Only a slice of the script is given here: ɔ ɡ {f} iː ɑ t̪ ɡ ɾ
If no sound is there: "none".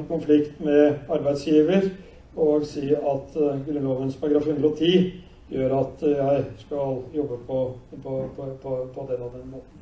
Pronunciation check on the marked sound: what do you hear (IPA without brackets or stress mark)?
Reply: s